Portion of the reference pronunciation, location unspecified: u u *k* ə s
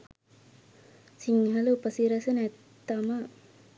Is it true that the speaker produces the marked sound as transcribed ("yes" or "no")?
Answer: no